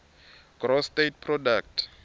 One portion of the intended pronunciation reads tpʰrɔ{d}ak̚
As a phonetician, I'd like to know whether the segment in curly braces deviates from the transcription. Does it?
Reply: no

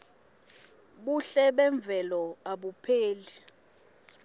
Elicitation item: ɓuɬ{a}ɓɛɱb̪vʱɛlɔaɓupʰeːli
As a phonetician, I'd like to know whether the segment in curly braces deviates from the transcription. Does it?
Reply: yes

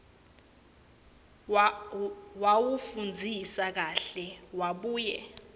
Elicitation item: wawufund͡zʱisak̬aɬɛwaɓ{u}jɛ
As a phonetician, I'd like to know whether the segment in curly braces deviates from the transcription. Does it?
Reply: yes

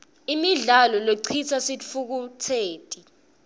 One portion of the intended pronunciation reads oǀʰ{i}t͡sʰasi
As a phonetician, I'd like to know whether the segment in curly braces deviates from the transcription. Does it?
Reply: no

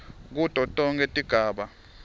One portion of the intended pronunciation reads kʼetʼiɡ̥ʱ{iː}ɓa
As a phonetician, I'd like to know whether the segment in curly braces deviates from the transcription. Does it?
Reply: yes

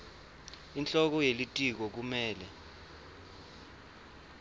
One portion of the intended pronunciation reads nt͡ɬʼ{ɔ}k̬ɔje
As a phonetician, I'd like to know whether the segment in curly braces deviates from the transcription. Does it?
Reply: no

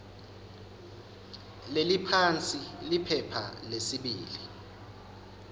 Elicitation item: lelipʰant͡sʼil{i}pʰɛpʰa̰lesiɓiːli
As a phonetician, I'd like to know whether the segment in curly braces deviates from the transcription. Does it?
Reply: no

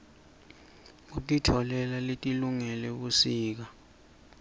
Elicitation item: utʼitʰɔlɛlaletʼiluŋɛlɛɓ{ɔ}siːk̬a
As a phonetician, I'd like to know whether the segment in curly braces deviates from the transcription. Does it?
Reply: yes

